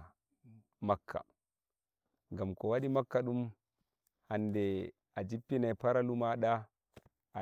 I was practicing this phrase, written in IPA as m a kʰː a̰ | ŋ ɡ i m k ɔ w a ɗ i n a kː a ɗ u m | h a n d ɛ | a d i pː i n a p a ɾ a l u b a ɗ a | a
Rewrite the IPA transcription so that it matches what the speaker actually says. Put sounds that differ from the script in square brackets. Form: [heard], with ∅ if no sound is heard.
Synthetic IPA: m a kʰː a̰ | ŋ ɡ [a] m k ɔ w a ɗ i [m] a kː a ɗ u m | h a n d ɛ | a [d͡ʒ] i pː i n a p a ɾ a l u [m] a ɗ a | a